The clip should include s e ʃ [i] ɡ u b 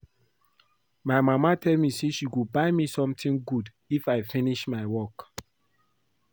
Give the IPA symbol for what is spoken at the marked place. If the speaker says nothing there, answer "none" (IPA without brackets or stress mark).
i